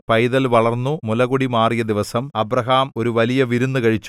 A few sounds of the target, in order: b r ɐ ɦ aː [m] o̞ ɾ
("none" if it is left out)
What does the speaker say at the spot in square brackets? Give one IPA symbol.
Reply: m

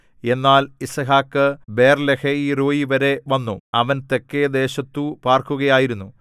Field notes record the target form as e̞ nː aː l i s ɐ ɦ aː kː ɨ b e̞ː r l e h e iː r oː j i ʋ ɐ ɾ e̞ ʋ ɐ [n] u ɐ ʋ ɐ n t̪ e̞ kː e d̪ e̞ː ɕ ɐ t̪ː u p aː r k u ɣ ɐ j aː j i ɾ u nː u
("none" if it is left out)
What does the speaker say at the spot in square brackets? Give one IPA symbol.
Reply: nː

